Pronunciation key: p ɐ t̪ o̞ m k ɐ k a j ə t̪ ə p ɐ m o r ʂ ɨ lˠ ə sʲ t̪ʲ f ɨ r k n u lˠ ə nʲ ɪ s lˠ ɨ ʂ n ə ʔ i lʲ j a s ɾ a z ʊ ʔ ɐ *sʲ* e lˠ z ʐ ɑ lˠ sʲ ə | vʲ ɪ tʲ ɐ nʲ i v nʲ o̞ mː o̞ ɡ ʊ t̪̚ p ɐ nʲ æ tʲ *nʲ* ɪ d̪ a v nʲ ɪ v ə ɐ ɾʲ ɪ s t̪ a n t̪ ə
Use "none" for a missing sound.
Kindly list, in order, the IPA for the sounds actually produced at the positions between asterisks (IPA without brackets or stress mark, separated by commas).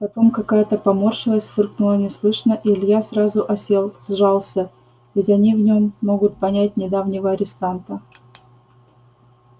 sʲ, nʲ